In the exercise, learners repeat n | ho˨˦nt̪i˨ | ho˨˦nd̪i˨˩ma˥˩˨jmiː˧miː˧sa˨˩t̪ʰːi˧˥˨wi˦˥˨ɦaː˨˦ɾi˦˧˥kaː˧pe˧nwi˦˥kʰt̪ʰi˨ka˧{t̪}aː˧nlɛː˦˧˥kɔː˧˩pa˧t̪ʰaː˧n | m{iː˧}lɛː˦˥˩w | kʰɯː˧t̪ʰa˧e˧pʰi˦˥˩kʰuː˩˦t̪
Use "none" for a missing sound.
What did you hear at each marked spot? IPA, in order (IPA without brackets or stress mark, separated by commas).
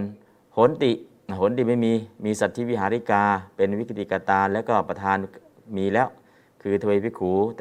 t̪, iː˧